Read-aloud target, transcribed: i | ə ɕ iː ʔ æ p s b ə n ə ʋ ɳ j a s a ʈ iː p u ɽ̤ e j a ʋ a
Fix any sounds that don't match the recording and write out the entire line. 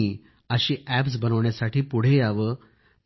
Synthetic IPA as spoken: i | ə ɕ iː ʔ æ p s b ə n ə ʋ ɳ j a s a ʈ iː p u ɽ̤ e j a ʋ ə